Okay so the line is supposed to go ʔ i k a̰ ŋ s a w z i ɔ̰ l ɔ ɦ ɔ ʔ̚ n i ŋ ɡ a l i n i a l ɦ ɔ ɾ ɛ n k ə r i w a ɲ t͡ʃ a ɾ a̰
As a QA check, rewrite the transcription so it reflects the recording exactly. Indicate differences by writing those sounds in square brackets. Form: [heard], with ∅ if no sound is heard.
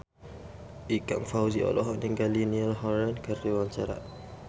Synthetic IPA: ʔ i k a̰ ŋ [f] a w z i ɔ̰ l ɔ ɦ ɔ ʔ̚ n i ŋ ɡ a l i n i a l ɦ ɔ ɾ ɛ n k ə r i w a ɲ t͡ʃ a ɾ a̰